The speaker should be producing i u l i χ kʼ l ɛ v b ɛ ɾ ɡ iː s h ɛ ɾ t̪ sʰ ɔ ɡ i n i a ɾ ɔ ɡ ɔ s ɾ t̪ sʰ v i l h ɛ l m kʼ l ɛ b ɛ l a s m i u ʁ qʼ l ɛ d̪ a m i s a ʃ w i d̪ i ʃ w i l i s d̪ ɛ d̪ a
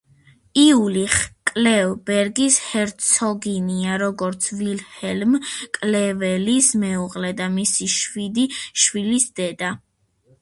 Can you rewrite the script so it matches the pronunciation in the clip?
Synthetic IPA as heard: i u l i χ kʼ l ɛ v b ɛ ɾ ɡ i s h ɛ ɾ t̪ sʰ ɔ ɡ i n i a ɾ ɔ ɡ ɔ ɾ t̪ sʰ v i l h ɛ l m kʼ l ɛ v ɛ l i s m ɛ u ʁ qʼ l ɛ d̪ a m i s i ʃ w i d̪ i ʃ w i l i s d̪ ɛ d̪ a